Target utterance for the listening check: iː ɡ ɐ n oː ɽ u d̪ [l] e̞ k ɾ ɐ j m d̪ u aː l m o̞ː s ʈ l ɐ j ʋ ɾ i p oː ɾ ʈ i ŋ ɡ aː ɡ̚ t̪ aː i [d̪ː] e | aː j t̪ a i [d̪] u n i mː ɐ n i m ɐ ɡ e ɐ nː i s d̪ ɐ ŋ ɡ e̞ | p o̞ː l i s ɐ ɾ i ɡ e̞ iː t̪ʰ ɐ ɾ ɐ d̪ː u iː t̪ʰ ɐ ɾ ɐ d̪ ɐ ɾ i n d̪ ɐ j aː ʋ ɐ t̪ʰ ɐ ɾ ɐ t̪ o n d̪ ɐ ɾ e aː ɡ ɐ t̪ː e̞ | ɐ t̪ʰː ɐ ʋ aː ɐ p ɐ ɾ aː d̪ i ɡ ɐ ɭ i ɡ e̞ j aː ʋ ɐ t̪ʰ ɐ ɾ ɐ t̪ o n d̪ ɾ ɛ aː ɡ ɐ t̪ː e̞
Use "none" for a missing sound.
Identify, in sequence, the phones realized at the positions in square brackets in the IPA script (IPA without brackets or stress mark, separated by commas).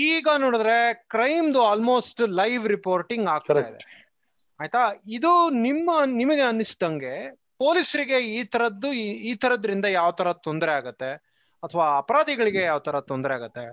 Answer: ɾ, d̪, d̪